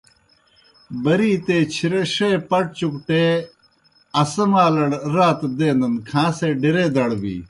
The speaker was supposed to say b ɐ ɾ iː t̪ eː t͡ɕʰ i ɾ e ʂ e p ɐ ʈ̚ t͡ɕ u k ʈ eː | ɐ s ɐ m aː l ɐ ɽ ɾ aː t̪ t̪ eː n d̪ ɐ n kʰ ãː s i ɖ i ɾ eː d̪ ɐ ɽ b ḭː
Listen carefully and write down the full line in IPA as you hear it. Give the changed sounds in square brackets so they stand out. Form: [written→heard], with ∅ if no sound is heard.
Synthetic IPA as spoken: b ɐ ɾ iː t̪ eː t͡ɕʰ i ɾ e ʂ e p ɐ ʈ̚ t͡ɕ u k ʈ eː | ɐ s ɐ m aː l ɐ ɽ ɾ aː t̪ [t̪→d̪] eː n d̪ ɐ n kʰ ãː s [i→e] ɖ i ɾ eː d̪ ɐ ɽ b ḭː